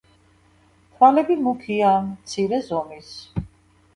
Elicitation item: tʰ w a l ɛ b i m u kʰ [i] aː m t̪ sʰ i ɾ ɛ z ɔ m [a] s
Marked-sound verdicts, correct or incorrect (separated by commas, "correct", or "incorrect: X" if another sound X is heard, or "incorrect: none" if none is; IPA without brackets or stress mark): correct, incorrect: i